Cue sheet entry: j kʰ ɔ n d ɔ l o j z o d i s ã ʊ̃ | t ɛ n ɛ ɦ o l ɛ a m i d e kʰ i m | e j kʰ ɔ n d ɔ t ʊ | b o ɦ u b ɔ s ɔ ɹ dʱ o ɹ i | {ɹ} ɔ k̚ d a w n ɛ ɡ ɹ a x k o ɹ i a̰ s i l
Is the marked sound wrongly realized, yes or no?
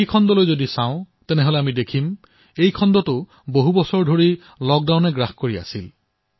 yes